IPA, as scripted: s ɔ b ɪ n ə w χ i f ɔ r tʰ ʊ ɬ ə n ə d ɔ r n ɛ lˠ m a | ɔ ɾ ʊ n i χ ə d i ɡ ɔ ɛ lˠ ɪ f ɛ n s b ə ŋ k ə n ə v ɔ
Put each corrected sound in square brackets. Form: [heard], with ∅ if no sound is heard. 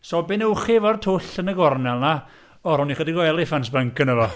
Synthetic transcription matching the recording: s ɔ b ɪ n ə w χ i [v] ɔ r tʰ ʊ ɬ ə n ə [ɡ] ɔ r n ɛ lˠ [n] a | ɔ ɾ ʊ n i χ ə d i ɡ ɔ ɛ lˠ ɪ f [a] n s b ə ŋ k ə n ə v ɔ